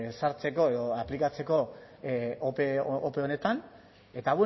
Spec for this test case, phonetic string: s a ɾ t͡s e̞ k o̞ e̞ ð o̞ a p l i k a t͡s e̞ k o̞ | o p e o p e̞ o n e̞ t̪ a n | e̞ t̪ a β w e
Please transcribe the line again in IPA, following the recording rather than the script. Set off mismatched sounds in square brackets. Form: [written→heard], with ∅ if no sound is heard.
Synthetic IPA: s a ɾ t͡s e̞ k o̞ e̞ ð o̞ a p l i k a t͡s e̞ k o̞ | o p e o p e̞ o n e̞ t̪ a n | e̞ t̪ a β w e